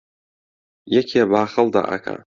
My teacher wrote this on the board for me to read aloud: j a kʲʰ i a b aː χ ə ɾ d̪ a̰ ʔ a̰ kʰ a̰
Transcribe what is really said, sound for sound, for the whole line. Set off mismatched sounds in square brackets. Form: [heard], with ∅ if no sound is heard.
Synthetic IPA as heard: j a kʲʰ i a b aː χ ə [l] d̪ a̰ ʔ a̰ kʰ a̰